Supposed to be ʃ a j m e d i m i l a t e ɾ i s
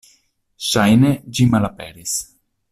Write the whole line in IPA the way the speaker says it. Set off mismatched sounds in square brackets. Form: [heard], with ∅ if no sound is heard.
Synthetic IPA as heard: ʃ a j [n] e [d͡ʒ] i m [a] l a [p] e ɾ i s